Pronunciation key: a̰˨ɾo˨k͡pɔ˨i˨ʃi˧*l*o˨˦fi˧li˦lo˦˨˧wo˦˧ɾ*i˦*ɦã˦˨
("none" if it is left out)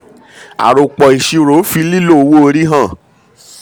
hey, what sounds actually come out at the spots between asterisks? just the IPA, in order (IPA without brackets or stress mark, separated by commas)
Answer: ɾ, i˦